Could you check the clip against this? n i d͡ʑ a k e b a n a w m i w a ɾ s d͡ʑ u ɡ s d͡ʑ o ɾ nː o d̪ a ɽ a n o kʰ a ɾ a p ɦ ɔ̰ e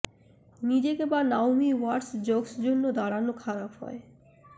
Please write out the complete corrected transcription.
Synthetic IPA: n i d͡ʑ e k e b a n a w m i w a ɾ s d͡ʑ o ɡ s d͡ʑ o nː o d̪ a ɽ a n o kʰ a ɾ a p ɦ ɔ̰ e